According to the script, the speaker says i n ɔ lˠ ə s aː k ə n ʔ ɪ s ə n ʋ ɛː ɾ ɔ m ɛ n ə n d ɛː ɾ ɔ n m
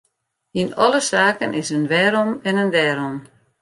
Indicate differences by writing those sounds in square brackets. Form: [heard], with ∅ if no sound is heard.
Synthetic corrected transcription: i n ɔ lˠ ə s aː k ə n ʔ ɪ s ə n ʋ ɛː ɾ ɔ m ɛ n ə n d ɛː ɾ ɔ [∅] m

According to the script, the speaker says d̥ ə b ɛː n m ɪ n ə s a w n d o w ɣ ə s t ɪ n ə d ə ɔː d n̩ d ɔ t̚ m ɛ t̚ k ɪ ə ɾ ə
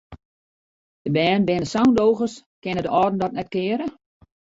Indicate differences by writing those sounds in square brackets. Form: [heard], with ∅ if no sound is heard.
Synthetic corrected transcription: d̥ ə b ɛː n [b] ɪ n ə s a w n d o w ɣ ə s [k] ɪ n ə d ə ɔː d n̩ d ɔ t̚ [n] ɛ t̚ k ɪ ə ɾ ə

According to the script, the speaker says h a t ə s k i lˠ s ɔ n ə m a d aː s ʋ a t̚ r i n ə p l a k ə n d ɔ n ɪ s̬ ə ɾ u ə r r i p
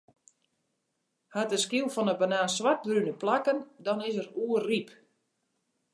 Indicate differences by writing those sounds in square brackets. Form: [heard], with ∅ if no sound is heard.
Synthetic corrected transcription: h a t ə s k i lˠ [f] ɔ n ə [b] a [n] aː s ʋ a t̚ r [y] n ə p l a k ə n d ɔ n ɪ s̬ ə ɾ u ə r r i p

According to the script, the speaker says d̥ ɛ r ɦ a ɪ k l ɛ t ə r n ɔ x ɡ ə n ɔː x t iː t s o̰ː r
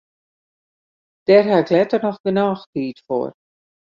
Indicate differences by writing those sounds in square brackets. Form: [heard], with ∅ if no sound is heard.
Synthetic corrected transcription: d̥ ɛ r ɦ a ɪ k l ɛ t ə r n ɔ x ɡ ə n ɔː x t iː t [f] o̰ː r

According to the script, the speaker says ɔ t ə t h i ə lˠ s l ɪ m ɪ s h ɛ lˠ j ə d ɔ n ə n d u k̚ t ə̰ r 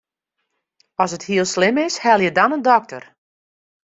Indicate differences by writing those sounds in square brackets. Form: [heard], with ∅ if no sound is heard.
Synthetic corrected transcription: ɔ [s] ə t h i ə lˠ s l ɪ m ɪ s h ɛ lˠ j ə d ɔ n ə n d [ɔ] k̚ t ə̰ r

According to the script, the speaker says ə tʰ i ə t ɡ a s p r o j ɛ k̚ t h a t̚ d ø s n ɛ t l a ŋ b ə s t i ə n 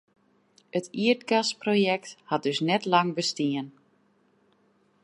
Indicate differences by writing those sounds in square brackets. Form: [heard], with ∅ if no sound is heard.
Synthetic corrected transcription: ə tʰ i ə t ɡ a s p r o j ɛ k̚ t h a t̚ d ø s n ɛ t l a ŋ b ə s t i ə n

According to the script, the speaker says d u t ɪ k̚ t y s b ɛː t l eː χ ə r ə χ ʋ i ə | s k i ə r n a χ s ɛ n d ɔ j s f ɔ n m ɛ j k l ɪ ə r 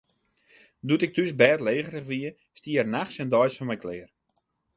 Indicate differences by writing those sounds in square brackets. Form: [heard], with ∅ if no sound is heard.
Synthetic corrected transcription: d u t ɪ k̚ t y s b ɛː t l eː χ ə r ə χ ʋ i ə | s [t] i ə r n a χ s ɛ n d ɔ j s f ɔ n m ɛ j k l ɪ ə r

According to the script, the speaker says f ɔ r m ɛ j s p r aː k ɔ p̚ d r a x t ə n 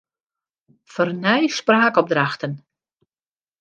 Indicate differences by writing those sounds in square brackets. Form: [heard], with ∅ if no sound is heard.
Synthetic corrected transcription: f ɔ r [n] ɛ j s p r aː k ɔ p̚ d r a x t ə n

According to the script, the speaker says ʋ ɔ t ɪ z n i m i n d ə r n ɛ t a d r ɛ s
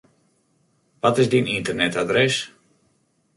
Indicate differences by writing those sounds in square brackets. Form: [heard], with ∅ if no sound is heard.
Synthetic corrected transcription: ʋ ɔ t ɪ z [d] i [n] i n [t] ə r n ɛ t a d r ɛ s

